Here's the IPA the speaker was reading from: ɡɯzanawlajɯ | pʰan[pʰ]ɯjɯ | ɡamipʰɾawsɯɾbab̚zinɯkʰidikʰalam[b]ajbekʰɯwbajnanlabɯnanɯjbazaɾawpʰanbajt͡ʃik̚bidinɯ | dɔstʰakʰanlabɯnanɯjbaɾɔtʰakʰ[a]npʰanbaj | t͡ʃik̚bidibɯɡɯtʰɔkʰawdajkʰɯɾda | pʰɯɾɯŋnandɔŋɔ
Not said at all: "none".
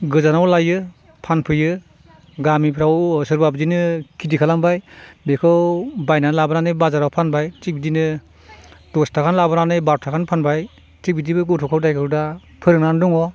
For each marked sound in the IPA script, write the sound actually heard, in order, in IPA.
pʰ, b, a

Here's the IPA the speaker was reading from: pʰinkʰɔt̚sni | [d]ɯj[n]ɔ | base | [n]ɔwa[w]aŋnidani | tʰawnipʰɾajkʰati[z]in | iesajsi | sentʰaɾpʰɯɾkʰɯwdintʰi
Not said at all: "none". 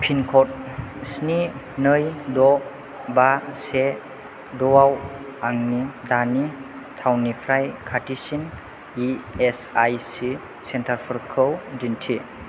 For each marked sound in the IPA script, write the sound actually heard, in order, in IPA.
n, d, d, w, s

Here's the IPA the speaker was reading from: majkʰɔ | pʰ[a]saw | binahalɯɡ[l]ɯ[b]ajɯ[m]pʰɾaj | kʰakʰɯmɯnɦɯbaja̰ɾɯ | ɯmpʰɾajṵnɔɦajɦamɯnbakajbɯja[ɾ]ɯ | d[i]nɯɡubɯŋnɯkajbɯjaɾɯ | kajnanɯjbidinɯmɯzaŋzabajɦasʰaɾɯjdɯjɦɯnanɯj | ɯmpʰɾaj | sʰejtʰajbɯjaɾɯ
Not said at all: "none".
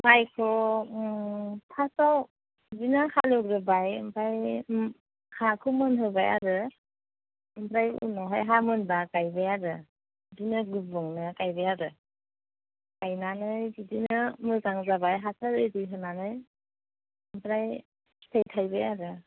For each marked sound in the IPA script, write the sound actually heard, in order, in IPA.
a, ɾ, b, m, ɾ, i

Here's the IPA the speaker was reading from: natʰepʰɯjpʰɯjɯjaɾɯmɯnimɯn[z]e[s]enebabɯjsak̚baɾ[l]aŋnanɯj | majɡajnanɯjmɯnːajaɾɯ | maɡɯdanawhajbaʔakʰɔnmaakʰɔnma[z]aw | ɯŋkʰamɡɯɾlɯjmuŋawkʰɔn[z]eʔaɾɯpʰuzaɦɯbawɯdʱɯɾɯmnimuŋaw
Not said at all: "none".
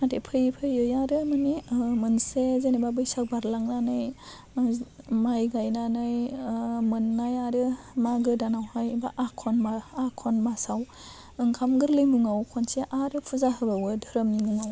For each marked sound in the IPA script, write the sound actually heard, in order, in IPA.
s, z, l, s, s

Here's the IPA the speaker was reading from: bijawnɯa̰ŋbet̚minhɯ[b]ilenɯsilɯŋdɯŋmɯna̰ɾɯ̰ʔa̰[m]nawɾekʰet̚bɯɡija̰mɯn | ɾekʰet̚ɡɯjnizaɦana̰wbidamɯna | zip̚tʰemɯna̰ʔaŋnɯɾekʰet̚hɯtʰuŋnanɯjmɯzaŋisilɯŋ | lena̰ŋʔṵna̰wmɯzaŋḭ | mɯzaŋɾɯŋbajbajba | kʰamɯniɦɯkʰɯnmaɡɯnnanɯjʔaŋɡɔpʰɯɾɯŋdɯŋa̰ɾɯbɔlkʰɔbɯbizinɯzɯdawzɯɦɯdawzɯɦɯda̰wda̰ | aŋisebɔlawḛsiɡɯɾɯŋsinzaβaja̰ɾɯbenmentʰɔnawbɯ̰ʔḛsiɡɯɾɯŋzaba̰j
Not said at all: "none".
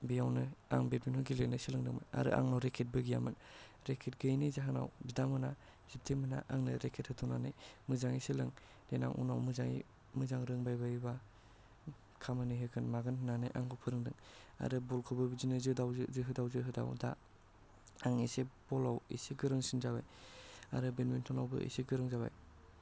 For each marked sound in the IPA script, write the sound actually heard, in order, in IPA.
ɡ, ŋ

